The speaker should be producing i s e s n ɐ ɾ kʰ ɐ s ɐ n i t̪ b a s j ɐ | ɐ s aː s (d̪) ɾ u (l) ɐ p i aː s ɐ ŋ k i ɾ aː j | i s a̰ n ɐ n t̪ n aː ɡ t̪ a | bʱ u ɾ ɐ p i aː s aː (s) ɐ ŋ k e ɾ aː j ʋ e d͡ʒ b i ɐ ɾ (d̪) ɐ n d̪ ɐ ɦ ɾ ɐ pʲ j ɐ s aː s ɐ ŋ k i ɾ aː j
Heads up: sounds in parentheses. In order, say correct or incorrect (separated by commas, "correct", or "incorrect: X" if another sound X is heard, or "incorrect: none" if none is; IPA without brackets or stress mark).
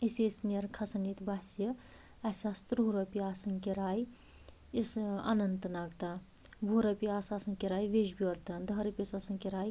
incorrect: t̪, incorrect: ɾ, correct, incorrect: t̪